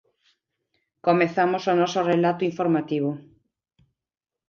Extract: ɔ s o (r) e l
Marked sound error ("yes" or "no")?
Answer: no